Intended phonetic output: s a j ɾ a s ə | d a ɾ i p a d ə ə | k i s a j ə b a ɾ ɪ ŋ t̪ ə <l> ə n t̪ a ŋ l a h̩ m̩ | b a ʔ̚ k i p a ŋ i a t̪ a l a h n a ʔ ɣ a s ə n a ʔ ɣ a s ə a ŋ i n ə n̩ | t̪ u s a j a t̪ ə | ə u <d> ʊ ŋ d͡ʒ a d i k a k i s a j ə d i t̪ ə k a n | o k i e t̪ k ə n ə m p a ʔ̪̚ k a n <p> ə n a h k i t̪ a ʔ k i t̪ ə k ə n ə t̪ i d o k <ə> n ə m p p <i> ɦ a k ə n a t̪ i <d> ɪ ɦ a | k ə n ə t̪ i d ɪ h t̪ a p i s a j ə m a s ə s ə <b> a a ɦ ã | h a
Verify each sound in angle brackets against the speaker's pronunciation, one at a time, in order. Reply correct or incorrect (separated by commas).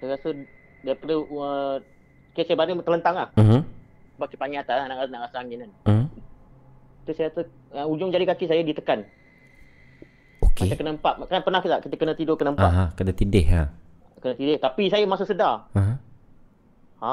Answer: correct, incorrect, correct, correct, incorrect, correct, incorrect